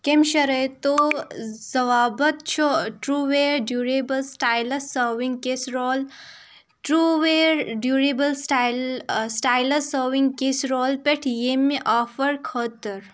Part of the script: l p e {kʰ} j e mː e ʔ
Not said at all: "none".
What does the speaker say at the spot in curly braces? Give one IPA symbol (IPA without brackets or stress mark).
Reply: ʈʰ